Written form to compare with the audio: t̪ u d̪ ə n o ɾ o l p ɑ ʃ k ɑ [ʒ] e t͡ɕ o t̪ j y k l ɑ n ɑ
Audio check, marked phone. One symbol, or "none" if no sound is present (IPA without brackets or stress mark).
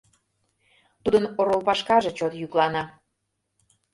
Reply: ʒ